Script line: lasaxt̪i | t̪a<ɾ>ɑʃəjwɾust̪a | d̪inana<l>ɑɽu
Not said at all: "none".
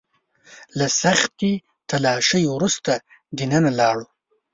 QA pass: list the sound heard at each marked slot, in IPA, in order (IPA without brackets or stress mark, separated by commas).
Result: l, l